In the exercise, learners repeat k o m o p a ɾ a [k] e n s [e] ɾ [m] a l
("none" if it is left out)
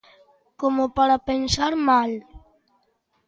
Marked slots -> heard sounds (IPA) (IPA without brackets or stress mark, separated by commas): p, a, m